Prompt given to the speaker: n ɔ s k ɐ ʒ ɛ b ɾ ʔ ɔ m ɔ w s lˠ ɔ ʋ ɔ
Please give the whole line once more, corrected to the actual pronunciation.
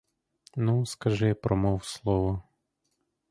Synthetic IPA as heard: n u s k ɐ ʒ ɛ p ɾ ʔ ɔ m ɔ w s lˠ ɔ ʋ ɔ